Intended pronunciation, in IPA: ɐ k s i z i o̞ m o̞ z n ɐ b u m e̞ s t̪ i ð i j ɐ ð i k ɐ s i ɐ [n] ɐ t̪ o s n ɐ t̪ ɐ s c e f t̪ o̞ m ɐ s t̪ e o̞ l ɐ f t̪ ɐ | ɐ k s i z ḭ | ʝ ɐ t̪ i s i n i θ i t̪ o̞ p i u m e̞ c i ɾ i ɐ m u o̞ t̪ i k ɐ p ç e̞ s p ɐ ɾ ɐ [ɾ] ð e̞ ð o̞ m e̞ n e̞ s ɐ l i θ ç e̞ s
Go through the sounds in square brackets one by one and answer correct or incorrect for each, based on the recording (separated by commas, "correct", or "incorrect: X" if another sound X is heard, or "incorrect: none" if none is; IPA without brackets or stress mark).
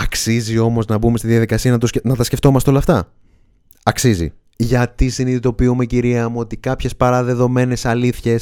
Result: correct, incorrect: none